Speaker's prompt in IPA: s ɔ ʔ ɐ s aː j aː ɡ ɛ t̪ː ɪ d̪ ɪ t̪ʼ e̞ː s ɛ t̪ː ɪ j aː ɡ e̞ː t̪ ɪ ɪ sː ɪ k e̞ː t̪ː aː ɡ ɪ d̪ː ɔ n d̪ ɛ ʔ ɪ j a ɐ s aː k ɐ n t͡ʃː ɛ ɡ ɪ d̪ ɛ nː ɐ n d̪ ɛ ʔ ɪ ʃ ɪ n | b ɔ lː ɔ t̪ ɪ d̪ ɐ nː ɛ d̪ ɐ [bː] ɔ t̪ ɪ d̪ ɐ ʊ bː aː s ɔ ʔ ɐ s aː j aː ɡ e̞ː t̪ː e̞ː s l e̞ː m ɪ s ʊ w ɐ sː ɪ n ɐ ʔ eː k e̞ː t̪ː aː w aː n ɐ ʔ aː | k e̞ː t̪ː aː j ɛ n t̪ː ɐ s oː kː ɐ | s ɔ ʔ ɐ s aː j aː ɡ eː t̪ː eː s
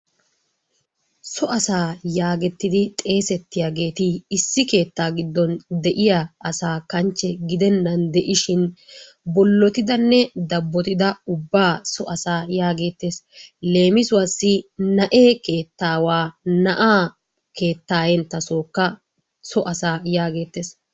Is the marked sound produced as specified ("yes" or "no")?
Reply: yes